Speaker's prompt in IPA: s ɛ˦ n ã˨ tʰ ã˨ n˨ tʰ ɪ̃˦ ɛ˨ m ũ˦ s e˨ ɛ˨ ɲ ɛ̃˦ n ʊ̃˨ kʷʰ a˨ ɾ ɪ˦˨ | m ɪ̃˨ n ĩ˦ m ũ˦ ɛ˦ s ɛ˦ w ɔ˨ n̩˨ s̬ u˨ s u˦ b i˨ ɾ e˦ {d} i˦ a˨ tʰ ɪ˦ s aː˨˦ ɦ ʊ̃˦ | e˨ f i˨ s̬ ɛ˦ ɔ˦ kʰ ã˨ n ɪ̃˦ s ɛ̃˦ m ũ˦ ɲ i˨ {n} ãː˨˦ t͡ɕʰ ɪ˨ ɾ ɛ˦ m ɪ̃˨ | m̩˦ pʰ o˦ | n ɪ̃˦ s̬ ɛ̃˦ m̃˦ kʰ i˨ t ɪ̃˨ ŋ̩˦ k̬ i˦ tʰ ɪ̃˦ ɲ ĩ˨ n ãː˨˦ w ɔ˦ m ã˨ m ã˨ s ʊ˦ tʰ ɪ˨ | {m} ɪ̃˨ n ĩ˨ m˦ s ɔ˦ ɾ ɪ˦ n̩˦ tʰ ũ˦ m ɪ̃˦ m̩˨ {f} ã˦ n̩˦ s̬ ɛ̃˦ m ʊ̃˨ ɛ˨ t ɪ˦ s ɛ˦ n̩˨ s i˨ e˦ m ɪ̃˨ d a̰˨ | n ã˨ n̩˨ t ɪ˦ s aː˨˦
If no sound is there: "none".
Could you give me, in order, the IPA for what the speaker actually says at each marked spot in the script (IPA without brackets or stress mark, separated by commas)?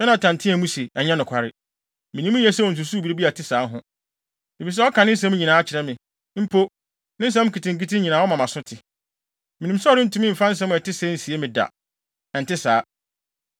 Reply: b, n, m, f